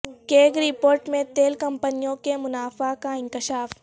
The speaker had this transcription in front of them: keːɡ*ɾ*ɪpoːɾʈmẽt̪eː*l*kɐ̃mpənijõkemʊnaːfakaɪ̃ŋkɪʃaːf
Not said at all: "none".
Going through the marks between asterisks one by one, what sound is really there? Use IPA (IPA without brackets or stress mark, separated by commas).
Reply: ɾ, l